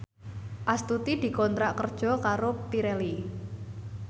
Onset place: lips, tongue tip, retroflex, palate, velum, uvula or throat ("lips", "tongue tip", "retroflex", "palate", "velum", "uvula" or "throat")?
throat